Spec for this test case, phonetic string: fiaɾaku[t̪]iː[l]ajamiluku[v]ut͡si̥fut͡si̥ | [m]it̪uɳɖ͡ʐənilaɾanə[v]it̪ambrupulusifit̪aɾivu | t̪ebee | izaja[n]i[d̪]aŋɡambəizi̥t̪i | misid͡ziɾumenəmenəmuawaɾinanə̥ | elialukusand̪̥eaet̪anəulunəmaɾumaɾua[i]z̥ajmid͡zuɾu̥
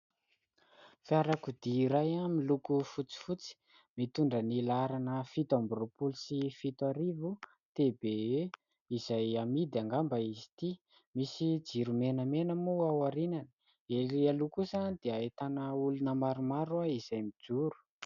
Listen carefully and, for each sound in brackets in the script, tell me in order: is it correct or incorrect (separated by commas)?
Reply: incorrect, incorrect, incorrect, correct, incorrect, incorrect, correct, correct